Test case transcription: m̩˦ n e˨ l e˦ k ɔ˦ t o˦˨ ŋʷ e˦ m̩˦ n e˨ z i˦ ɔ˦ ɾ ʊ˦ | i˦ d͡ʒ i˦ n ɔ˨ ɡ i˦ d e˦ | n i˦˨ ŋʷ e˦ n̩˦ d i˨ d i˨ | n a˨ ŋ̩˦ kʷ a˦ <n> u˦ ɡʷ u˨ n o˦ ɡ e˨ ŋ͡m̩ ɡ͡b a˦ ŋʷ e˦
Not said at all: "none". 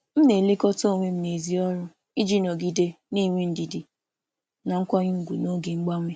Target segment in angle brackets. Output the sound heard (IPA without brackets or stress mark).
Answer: ɲ